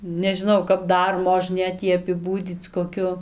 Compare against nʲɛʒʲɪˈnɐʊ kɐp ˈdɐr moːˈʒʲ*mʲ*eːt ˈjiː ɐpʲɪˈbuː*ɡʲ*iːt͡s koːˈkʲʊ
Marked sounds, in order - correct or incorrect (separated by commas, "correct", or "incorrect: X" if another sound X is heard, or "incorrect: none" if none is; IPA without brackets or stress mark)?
incorrect: nʲ, incorrect: dʲ